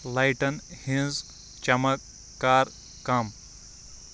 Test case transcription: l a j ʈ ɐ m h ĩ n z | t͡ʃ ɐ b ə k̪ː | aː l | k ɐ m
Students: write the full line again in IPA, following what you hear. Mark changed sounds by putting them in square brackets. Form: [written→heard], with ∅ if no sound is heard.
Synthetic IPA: l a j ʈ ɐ [m→n] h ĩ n z | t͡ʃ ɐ [b→m] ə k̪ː | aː [l→ɾ] | k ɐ m